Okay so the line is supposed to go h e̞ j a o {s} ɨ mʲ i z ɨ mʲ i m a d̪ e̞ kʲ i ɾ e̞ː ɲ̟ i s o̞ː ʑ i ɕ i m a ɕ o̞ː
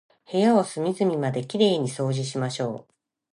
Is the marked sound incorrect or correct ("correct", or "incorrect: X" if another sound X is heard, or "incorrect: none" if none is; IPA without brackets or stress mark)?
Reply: correct